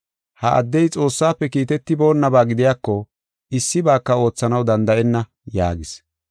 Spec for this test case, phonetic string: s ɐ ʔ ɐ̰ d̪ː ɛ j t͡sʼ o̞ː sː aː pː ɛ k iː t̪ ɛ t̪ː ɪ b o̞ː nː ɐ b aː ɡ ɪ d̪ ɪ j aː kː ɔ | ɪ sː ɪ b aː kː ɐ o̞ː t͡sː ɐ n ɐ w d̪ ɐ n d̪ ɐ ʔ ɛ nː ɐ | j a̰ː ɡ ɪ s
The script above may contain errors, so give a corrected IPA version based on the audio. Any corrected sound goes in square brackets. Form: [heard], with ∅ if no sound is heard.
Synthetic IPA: [h] ɐ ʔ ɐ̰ d̪ː ɛ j t͡sʼ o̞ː sː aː pː ɛ k iː t̪ ɛ t̪ː ɪ b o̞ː nː ɐ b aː ɡ ɪ d̪ ɪ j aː kː ɔ | ɪ sː ɪ b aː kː ɐ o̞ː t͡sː ɐ n ɐ w d̪ ɐ n d̪ ɐ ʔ ɛ nː ɐ | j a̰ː ɡ ɪ s

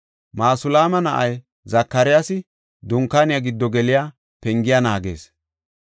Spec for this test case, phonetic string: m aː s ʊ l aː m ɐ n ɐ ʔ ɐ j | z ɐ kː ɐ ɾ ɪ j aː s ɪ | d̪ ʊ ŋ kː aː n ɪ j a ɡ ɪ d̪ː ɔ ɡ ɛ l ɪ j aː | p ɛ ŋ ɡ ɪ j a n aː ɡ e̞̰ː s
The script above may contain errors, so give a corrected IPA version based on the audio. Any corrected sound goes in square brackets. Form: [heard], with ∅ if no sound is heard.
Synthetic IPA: m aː s ʊ l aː m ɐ n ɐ ʔ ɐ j | z ɐ kː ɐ ɾ ɪ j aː s ɪ | d̪ ʊ ŋ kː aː n ɪ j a ɡ ɪ d̪ː ɔ ɡ ɛ l ɪ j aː | p ɛ ŋ ɡ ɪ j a n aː ɡ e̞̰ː s

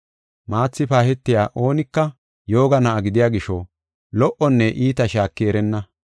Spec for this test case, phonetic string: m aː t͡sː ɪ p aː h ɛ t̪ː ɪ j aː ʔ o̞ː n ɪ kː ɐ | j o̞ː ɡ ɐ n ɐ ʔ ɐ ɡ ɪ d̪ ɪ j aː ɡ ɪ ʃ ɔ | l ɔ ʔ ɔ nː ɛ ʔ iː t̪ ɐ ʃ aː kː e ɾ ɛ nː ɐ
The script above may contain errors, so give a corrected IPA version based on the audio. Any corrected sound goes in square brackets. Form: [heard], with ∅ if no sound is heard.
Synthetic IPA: m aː t͡sː ɪ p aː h ɛ t̪ː ɪ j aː ʔ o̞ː n ɪ kː ɐ | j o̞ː ɡ ɐ n ɐ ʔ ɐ ɡ ɪ d̪ ɪ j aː ɡ ɪ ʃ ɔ | l ɔ ʔ ɔ nː ɛ ʔ iː t̪ ɐ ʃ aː kː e ɾ ɛ nː ɐ

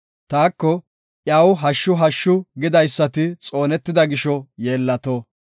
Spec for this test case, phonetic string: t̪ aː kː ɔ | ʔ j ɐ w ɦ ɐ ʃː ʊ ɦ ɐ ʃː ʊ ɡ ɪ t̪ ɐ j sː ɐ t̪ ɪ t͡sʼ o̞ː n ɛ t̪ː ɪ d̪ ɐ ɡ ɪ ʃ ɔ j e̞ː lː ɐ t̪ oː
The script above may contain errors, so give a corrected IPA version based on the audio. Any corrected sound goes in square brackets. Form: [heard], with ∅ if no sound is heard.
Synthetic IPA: t̪ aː kː ɔ | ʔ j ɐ w ɦ ɐ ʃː ʊ ɦ ɐ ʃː ʊ ɡ ɪ [d̪] ɐ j sː ɐ t̪ ɪ t͡sʼ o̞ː n ɛ t̪ː ɪ d̪ ɐ ɡ ɪ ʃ ɔ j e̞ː lː ɐ t̪ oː

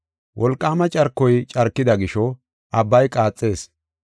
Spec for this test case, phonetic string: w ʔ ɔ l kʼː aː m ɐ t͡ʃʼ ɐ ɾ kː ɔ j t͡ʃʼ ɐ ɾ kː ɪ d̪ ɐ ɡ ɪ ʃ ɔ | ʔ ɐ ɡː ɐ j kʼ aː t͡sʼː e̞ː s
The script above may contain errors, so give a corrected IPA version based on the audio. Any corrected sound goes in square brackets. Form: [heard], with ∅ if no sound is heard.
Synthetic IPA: w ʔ ɔ l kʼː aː m ɐ t͡ʃʼ ɐ ɾ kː ɔ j t͡ʃʼ ɐ ɾ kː ɪ d̪ ɐ ɡ ɪ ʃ ɔ | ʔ ɐ [bː] ɐ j kʼ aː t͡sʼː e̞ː s

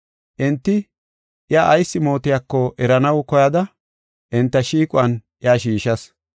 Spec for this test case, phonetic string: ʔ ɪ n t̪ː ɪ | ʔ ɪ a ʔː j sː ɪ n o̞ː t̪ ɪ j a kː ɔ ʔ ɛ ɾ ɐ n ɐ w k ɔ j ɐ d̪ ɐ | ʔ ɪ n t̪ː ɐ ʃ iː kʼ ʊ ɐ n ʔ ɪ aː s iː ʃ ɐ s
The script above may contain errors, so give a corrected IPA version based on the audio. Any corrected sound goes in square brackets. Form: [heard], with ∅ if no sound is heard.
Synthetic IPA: ʔ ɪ n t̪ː ɪ | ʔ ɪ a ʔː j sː ɪ [m] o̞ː t̪ ɪ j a kː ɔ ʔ ɛ ɾ ɐ n ɐ w k ɔ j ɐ d̪ ɐ | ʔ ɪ n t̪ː ɐ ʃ iː kʼ ʊ ɐ n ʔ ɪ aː [ʃ] iː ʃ ɐ s

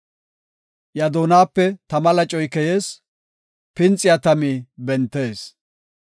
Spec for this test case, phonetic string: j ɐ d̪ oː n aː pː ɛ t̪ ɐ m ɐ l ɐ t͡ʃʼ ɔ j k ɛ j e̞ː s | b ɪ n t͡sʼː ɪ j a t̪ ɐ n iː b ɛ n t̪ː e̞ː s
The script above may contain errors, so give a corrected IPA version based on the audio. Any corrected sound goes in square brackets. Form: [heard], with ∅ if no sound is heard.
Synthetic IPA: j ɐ d̪ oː n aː pː ɛ t̪ ɐ m ɐ l ɐ t͡ʃʼ ɔ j k ɛ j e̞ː s | [p] ɪ n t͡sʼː ɪ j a t̪ ɐ [m] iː b ɛ n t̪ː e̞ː s

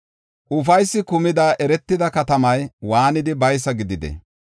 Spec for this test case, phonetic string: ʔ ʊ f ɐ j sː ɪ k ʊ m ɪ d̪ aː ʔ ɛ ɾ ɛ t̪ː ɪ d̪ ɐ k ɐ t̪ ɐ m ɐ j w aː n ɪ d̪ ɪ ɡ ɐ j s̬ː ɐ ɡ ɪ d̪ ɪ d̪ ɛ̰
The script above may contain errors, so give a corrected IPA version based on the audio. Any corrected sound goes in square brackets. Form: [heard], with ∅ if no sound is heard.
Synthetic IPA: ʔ ʊ f ɐ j sː ɪ k ʊ m ɪ d̪ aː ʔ ɛ ɾ ɛ t̪ː ɪ d̪ ɐ k ɐ t̪ ɐ m ɐ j w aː n ɪ d̪ ɪ [b] ɐ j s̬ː ɐ ɡ ɪ d̪ ɪ d̪ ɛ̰

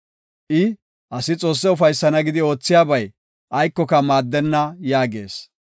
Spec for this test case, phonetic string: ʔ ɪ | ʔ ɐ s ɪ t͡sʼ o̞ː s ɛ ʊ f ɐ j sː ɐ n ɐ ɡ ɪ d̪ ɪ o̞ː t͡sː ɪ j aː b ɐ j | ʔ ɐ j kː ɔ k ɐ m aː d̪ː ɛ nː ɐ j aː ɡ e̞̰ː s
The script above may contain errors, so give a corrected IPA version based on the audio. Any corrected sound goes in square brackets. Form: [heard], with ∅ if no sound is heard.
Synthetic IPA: ʔ ɪ | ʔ ɐ s ɪ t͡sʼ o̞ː [sː] ɛ ʊ f ɐ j sː ɐ n ɐ ɡ ɪ d̪ ɪ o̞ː t͡sː ɪ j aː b ɐ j | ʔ ɐ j kː ɔ k ɐ m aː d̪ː ɛ nː ɐ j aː ɡ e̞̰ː s

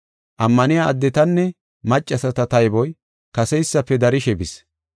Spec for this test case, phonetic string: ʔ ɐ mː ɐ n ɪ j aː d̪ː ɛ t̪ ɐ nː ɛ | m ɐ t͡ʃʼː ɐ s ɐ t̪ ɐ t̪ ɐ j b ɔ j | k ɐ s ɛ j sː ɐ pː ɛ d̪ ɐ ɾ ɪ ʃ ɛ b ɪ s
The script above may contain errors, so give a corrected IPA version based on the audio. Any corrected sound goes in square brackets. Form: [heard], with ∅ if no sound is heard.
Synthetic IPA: ʔ ɐ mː ɐ n ɪ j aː d̪ː ɛ t̪ ɐ nː ɛ | m ɐ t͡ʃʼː ɐ s ɐ t̪ ɐ t̪ ɐ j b ɔ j | k ɐ s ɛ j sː ɐ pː ɛ d̪ ɐ ɾ ɪ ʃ ɛ b ɪ s

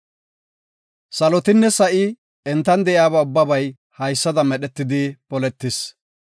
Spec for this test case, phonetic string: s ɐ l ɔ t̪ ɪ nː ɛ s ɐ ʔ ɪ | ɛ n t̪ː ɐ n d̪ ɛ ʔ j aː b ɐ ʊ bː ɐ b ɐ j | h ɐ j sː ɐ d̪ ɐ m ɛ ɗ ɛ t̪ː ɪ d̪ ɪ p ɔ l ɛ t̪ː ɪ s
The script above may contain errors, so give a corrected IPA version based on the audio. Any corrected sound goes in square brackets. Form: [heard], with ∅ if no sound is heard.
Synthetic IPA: s ɐ l ɔ t̪ ɪ nː ɛ s ɐ ʔ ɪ | ɛ n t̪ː ɐ n d̪ ɛ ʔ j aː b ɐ ʊ bː ɐ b ɐ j | h ɐ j sː ɐ d̪ ɐ m ɛ ɗ ɛ t̪ː ɪ d̪ ɪ p ɔ l ɛ t̪ː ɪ s

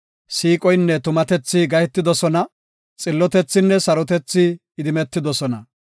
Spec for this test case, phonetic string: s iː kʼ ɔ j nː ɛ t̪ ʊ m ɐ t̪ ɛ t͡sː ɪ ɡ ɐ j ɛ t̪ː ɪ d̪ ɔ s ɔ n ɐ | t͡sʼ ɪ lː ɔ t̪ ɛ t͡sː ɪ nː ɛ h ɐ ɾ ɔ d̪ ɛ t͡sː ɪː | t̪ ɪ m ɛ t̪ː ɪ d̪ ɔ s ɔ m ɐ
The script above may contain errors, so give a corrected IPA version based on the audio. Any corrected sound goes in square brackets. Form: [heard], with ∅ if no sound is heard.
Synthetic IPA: s iː kʼ ɔ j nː ɛ t̪ ʊ m ɐ t̪ ɛ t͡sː ɪ ɡ ɐ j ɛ t̪ː ɪ d̪ ɔ s ɔ n ɐ | t͡sʼ ɪ lː ɔ t̪ ɛ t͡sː ɪ nː ɛ [s] ɐ ɾ ɔ [t̪] ɛ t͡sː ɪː | [d̪] ɪ m ɛ t̪ː ɪ d̪ ɔ s ɔ [n] ɐ

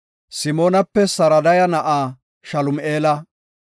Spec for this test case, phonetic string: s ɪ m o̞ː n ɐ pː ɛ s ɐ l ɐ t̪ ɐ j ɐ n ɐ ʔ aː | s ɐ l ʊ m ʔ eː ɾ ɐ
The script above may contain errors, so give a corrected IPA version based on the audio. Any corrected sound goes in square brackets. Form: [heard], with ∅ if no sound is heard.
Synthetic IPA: s ɪ m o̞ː n ɐ pː ɛ s ɐ [ɾ] ɐ [d̪] ɐ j ɐ n ɐ ʔ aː | [ʃ] ɐ l ʊ m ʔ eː [l] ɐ

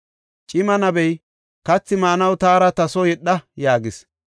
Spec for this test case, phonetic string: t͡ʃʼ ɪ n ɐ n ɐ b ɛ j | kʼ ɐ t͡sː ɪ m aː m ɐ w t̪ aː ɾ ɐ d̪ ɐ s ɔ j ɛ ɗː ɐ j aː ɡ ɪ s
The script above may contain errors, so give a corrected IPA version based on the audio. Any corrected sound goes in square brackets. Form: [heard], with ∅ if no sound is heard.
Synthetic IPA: t͡ʃʼ ɪ [m] ɐ n ɐ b ɛ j | [k] ɐ t͡sː ɪ m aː [n] ɐ w t̪ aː ɾ ɐ [t̪] ɐ s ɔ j ɛ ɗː ɐ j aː ɡ ɪ s

